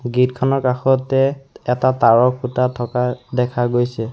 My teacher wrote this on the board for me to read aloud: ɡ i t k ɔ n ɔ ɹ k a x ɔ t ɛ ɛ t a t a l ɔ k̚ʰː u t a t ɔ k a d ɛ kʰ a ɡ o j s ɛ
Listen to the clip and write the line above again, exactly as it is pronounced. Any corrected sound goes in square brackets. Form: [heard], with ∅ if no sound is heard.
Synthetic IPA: ɡ i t [kʰ] ɔ n ɔ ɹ k a x ɔ t ɛ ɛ t a t a [ɹ] ɔ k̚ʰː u t a [tʰ] ɔ k a d ɛ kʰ a ɡ o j s ɛ